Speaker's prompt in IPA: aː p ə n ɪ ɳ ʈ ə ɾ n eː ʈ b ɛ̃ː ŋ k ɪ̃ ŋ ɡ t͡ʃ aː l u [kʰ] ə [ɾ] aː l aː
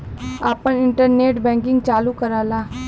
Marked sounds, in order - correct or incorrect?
incorrect, correct

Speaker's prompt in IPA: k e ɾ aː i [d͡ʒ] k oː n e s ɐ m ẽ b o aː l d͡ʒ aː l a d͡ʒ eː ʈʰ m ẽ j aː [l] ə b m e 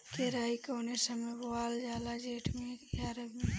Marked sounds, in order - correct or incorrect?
incorrect, incorrect

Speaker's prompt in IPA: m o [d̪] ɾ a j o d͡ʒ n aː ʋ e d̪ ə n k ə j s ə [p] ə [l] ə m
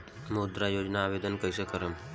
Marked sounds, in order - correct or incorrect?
correct, incorrect, incorrect

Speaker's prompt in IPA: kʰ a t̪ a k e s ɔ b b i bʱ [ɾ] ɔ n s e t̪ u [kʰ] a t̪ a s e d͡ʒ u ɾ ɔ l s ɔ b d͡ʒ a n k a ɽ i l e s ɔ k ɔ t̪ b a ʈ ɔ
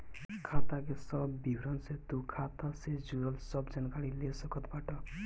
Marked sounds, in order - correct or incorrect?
correct, correct

